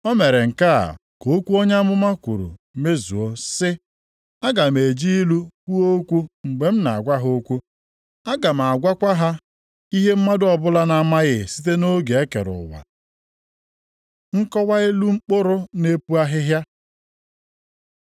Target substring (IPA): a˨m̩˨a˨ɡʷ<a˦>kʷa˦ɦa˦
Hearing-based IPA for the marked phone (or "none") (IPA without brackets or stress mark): a˦